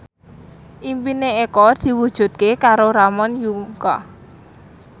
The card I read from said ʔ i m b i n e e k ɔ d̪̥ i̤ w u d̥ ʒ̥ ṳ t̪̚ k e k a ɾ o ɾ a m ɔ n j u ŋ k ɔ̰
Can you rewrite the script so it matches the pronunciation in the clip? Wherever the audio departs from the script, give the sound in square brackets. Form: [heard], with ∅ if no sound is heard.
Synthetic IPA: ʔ i m [p] i n e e k ɔ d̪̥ i̤ w u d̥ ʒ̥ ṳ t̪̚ k e k a ɾ o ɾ a m ɔ n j u ŋ k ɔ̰